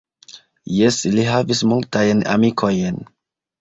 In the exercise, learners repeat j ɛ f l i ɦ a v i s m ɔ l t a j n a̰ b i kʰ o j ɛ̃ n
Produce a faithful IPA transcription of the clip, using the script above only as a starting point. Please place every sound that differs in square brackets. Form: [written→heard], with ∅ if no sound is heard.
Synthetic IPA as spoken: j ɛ [f→s] l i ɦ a v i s m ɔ l t a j n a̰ [b→m] i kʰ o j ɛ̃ n